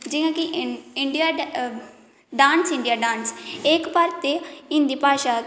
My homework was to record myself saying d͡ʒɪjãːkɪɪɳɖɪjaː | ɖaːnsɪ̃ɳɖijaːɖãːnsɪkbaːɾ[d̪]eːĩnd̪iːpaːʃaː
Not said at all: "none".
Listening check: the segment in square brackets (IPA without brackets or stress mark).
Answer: t̪